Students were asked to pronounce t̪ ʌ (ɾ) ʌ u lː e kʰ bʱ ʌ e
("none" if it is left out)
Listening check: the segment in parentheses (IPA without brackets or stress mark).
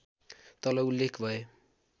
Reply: l